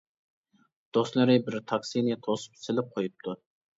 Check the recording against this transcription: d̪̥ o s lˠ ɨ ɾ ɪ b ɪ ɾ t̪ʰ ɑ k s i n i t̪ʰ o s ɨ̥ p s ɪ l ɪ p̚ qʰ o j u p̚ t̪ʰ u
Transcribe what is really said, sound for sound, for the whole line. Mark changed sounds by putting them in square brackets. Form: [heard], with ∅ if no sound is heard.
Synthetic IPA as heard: d̪̥ o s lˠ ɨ ɾ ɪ b ɪ ɾ t̪ʰ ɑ k s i n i t̪ʰ o s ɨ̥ p s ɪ l ɪ p̚ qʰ o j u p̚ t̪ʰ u